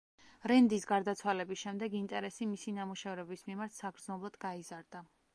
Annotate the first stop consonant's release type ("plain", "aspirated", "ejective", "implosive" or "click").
plain